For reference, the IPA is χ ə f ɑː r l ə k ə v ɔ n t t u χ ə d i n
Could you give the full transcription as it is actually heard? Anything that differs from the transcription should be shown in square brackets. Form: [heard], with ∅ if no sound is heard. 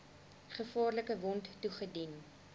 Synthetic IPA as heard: χ ə f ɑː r l ə k ə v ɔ n t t u χ ə d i n